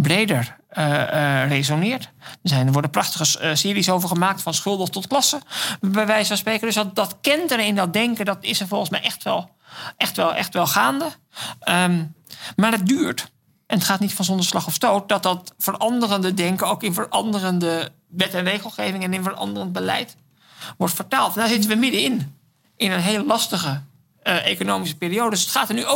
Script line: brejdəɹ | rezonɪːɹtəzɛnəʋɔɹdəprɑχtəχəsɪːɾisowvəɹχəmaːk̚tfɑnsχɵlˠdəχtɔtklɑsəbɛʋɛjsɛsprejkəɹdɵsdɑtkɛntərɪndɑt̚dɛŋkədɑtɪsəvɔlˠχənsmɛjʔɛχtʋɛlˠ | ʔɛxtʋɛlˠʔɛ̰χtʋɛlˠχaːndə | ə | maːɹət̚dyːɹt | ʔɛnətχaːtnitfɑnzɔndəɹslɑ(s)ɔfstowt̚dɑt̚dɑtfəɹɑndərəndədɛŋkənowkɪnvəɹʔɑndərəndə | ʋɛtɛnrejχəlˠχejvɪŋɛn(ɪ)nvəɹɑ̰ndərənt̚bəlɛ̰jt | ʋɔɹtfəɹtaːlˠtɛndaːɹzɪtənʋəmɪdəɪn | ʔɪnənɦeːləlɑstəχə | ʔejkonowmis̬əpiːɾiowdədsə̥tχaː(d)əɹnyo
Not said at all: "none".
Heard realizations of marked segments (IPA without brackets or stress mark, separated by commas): χ, ɪ, t